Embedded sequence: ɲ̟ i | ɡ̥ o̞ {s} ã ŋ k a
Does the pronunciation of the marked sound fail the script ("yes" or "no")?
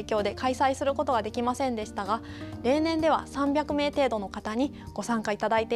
no